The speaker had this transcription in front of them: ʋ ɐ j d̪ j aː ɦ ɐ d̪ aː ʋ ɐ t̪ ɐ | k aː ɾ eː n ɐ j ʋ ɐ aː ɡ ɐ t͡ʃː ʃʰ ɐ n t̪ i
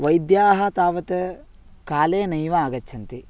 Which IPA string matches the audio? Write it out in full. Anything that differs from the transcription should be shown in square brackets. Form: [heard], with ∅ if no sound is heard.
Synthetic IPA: ʋ ɐ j d̪ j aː ɦ ɐ [t̪] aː ʋ ɐ t̪ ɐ | k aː [l] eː n ɐ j ʋ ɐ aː ɡ ɐ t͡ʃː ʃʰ ɐ n t̪ i